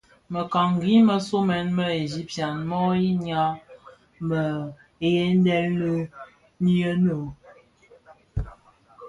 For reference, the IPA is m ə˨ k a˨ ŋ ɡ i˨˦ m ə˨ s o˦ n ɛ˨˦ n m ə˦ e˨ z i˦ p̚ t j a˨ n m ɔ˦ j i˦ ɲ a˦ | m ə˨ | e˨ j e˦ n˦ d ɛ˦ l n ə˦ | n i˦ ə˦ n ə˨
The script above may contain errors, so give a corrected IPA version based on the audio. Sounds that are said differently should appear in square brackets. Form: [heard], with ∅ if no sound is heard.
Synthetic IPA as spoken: m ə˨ k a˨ ŋ ɡ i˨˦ m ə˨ s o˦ [m] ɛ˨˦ n m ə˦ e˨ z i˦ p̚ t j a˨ n m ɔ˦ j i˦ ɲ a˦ | m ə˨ | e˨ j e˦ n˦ d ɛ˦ l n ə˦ | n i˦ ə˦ n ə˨